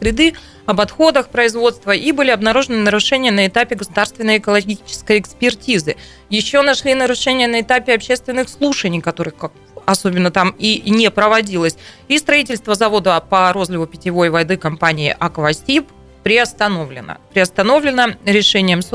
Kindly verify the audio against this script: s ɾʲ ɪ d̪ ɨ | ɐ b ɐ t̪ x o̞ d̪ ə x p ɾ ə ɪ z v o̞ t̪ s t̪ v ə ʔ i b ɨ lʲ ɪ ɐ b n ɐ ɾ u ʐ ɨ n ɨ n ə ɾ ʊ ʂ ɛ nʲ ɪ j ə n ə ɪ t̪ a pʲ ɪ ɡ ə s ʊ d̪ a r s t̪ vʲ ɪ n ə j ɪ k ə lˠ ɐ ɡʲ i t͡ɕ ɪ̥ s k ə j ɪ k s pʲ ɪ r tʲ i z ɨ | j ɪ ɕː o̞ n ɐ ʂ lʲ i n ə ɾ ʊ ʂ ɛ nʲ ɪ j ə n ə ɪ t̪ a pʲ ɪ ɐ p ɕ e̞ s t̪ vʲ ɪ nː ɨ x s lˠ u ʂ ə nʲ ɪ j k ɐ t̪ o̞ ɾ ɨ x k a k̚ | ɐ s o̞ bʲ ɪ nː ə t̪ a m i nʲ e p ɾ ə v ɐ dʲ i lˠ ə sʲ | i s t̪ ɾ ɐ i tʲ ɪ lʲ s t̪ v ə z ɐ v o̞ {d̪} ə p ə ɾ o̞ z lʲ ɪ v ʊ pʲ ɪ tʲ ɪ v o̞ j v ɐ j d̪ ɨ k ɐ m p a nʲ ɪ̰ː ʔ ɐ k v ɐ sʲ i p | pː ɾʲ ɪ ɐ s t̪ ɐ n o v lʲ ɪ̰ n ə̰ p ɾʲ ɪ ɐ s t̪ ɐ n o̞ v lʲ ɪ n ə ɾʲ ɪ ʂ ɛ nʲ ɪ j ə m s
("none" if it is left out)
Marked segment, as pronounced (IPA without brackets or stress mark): d̪